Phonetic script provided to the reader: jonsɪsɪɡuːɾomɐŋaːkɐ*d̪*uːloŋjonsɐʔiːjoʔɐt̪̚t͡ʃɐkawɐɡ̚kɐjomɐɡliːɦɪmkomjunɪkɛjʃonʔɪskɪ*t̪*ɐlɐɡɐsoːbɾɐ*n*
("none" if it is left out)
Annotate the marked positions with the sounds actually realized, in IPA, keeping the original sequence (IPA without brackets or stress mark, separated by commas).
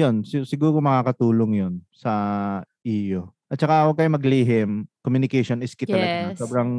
t̪, t̪, ŋ